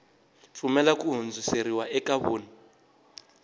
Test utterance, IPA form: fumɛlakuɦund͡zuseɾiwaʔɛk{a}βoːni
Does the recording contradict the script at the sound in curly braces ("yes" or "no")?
no